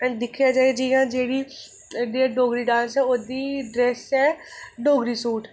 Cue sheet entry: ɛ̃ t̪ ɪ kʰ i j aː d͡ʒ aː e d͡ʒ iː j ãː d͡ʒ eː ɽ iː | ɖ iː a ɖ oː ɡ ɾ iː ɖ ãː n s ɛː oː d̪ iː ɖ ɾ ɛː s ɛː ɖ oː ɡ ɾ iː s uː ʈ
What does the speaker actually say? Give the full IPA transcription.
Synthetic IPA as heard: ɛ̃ d̪ ɪ kʰ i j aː d͡ʒ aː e d͡ʒ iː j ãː d͡ʒ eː ɽ iː | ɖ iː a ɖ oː ɡ ɾ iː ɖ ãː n s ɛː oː d̪ iː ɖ ɾ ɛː s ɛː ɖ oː ɡ ɾ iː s uː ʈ